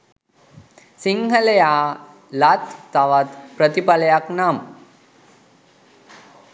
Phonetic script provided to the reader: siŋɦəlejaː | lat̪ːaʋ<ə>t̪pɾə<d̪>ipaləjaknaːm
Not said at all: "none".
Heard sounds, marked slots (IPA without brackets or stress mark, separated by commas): a, t̪